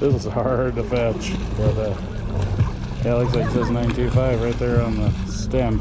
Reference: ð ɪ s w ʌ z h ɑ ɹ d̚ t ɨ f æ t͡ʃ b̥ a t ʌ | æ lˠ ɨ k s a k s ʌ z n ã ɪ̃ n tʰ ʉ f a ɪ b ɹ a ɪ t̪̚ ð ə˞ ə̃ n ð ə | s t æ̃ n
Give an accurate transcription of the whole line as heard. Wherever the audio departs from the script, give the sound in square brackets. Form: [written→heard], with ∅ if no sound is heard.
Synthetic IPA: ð ɪ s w ʌ z h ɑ ɹ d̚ t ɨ f æ t͡ʃ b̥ [a→ʌ] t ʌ | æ lˠ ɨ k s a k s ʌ z n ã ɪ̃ n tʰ ʉ f a ɪ [b→v] ɹ a ɪ t̪̚ ð ə˞ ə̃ n ð ə | s t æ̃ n